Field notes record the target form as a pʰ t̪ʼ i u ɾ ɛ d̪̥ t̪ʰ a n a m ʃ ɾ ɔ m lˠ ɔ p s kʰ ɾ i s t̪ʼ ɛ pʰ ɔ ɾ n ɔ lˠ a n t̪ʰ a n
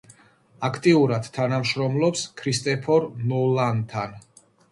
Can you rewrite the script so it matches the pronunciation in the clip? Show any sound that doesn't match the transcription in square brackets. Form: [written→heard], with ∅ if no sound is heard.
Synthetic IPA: a [pʰ→kʰ] t̪ʼ i u ɾ [ɛ→a] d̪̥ t̪ʰ a n a m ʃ ɾ ɔ m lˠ ɔ p s kʰ ɾ i s t̪ʼ ɛ pʰ ɔ ɾ n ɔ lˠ a n t̪ʰ a n